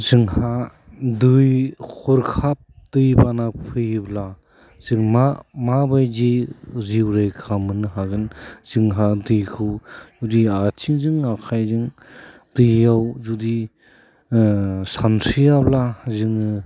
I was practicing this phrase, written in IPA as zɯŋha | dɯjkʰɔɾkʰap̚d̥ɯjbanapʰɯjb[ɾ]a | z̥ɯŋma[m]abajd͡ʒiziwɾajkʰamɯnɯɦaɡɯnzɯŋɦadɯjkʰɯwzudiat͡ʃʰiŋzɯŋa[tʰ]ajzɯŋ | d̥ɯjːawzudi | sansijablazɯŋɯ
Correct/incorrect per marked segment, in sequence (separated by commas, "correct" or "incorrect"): incorrect, correct, incorrect